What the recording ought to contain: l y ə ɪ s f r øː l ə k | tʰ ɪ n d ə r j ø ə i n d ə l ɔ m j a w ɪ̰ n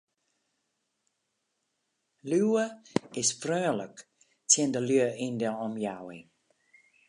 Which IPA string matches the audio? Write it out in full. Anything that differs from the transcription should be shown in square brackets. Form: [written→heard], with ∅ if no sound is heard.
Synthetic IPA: l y ə ɪ s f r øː l ə k | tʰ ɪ n d ə [r→l] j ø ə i n d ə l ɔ m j a w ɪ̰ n